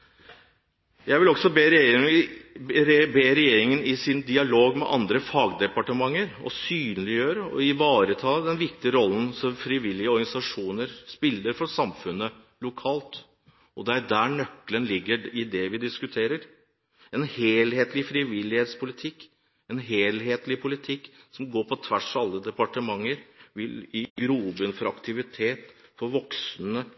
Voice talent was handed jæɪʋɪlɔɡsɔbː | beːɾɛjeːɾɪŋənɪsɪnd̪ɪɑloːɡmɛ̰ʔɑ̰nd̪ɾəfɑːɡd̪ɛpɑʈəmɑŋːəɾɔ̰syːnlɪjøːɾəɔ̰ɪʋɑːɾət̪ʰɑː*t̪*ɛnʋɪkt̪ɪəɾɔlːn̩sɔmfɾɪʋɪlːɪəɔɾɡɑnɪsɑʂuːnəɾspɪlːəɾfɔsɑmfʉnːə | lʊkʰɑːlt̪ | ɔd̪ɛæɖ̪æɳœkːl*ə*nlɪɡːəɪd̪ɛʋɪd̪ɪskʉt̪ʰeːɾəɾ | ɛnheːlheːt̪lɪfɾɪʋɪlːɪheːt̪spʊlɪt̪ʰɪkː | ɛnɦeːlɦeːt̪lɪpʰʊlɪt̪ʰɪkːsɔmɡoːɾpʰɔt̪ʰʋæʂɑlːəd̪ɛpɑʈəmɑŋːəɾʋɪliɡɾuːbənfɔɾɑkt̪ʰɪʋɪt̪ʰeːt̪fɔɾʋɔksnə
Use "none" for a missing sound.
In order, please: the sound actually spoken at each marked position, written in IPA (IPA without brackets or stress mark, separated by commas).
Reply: d̪, ə